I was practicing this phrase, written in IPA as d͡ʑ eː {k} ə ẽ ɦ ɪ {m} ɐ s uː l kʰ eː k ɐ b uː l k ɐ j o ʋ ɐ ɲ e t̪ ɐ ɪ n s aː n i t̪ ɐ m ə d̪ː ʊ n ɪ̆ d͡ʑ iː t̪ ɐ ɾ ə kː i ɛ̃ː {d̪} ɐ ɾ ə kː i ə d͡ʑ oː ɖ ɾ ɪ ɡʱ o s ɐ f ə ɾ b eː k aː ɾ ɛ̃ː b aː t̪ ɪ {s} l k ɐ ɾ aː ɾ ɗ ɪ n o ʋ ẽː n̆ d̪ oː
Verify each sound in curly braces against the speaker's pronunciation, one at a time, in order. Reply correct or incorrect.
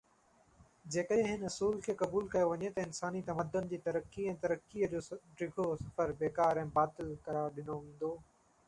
correct, incorrect, incorrect, incorrect

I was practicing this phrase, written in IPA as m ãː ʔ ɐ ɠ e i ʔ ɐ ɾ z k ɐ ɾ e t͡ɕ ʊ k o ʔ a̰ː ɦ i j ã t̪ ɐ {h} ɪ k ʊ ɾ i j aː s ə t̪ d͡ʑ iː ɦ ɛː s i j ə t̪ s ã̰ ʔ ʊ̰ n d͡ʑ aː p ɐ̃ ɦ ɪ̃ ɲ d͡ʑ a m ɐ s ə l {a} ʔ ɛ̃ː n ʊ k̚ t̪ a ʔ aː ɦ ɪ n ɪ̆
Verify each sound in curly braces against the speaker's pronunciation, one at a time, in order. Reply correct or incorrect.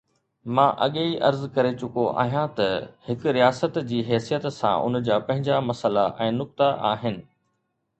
correct, correct

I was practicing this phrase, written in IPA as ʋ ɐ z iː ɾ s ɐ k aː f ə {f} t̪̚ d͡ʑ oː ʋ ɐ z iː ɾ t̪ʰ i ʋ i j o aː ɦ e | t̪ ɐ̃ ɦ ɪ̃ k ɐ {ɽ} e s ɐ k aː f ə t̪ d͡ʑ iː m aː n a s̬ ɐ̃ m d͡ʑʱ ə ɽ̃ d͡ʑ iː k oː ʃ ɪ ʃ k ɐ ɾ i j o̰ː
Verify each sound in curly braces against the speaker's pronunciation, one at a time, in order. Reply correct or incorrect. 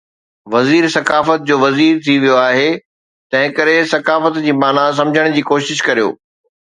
incorrect, incorrect

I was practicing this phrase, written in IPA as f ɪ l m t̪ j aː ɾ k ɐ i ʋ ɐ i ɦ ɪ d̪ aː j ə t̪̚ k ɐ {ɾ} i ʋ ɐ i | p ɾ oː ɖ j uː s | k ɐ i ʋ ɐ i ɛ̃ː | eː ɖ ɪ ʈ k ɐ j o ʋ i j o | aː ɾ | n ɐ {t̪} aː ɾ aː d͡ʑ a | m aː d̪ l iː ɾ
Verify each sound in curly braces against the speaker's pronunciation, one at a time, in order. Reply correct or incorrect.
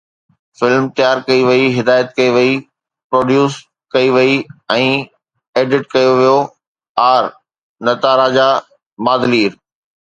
incorrect, correct

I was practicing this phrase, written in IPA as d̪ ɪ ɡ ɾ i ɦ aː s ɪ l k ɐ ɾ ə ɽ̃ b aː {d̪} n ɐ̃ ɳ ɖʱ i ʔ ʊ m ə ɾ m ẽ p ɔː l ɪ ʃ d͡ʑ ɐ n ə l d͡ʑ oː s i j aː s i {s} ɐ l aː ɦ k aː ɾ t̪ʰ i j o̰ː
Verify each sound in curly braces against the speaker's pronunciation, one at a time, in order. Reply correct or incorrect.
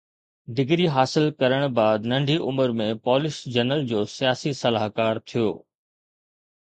correct, correct

